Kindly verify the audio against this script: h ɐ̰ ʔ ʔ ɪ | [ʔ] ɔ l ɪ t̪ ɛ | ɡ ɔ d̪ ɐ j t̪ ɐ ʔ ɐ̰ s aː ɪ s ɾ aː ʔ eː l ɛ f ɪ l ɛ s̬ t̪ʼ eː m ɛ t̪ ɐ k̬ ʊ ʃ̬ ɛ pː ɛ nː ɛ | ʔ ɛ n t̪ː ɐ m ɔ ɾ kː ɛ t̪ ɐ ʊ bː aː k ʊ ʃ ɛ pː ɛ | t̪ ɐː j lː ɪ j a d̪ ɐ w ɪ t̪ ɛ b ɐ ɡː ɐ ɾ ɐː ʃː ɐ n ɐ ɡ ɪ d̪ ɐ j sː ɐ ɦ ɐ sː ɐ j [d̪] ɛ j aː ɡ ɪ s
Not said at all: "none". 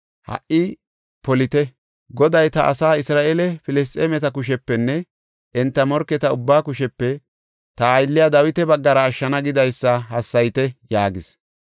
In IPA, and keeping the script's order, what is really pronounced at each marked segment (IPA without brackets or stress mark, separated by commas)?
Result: p, t̪